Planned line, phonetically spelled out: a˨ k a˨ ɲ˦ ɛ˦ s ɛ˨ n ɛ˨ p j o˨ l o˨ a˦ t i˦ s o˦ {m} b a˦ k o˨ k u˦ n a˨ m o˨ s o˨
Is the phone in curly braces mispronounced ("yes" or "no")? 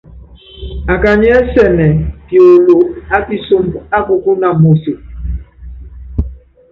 no